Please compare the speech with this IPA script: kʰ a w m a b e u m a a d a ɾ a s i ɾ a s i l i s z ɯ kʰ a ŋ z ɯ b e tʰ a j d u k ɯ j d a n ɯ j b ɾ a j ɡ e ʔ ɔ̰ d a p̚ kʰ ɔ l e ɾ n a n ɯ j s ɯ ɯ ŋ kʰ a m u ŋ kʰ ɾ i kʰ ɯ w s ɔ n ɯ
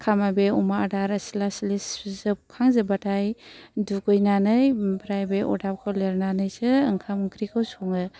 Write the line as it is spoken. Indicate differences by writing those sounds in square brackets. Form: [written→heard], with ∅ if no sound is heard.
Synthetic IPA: kʰ a [w→∅] m a b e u m a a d a ɾ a s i [ɾ→l] a s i l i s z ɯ kʰ a ŋ z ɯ b [e→a] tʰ a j d u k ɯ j [d→n] a n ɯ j b ɾ a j [ɡ→b] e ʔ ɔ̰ d a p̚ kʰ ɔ l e ɾ n a n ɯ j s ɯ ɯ ŋ kʰ a m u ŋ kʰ ɾ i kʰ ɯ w s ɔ [n→ŋ] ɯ